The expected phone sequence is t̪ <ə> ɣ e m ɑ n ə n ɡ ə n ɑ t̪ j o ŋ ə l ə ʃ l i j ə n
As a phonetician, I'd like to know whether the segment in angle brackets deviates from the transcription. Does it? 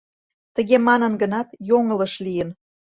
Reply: no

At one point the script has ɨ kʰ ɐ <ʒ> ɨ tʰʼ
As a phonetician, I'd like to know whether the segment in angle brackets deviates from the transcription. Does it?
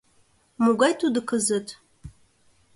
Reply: yes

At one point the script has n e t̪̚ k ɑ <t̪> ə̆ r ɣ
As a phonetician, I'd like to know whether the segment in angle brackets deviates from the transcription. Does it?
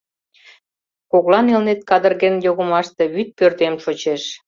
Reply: yes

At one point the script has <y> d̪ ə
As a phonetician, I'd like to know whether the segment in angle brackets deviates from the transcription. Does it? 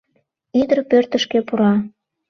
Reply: yes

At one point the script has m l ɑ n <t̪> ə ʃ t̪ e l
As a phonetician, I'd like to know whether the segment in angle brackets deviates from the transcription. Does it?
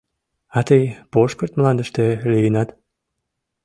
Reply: yes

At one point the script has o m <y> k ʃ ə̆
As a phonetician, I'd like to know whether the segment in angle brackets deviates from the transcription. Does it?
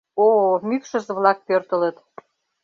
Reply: no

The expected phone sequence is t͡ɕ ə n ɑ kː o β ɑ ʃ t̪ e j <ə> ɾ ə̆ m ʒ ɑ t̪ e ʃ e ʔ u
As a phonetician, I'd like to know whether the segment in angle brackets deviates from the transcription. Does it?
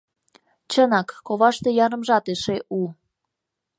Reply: yes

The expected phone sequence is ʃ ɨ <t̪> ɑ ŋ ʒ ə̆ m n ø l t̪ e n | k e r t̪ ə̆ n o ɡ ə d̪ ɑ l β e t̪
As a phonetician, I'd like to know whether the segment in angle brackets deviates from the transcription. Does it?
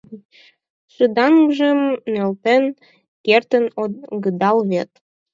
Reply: yes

